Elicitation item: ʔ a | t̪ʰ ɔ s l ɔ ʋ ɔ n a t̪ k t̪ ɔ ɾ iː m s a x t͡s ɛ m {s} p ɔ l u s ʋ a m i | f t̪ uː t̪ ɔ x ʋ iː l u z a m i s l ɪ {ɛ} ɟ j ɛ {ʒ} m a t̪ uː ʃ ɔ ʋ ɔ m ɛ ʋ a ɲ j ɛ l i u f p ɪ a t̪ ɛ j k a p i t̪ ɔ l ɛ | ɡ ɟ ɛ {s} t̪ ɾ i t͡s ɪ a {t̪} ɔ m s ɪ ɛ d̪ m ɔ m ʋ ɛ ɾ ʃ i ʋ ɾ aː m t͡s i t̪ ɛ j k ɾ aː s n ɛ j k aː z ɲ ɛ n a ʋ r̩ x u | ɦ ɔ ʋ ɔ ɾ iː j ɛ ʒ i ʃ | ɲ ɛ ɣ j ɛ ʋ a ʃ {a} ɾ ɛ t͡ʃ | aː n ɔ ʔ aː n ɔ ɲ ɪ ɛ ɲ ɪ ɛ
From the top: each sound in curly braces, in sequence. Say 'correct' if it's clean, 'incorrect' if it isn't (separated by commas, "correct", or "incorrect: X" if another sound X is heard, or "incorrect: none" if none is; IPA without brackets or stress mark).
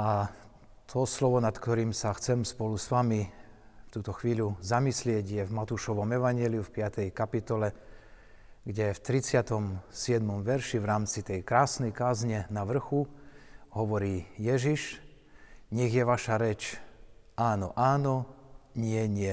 correct, correct, incorrect: v, incorrect: f, correct, correct